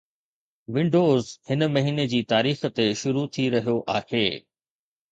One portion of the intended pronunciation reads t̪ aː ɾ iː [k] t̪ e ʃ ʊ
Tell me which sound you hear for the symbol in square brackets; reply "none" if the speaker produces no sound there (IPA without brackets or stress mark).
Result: x